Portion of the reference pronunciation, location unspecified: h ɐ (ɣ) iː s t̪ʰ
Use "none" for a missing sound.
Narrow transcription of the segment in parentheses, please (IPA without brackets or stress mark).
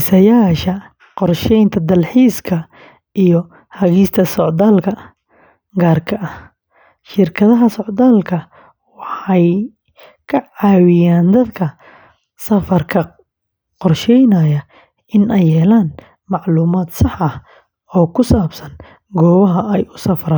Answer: ɣ